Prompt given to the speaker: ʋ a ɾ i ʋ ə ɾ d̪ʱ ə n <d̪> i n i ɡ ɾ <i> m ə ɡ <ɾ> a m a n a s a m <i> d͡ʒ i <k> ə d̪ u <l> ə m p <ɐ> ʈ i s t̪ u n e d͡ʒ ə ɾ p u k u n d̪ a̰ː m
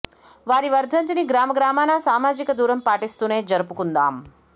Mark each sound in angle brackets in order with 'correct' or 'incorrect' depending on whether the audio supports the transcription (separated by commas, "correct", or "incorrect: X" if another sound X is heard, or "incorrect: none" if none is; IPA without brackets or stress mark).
incorrect: t̪, incorrect: a, correct, incorrect: a, correct, incorrect: ɾ, incorrect: a